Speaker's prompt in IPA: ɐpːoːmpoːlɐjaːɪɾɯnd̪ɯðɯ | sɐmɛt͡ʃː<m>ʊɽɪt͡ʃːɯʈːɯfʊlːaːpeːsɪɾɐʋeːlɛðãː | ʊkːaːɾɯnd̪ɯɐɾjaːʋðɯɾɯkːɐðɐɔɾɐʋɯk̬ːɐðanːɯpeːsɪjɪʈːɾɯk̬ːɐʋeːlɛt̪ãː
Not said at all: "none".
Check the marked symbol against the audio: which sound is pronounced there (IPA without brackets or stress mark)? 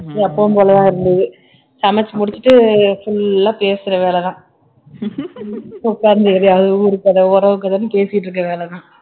m